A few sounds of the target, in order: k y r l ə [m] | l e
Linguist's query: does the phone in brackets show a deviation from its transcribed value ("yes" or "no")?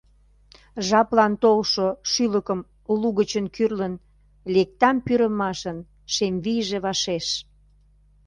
yes